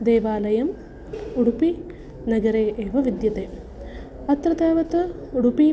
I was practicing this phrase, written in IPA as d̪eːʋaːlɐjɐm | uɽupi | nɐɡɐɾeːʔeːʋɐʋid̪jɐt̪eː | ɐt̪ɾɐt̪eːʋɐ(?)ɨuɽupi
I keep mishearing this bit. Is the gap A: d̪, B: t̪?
B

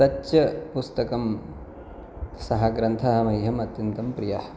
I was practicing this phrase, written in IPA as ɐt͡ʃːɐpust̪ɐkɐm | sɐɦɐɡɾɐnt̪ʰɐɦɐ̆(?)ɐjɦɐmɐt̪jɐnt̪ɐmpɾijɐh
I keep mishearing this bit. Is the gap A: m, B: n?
A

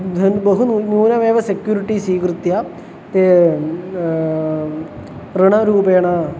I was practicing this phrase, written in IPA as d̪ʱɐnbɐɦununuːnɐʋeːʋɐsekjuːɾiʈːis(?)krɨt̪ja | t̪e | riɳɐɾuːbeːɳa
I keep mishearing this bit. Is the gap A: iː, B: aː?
A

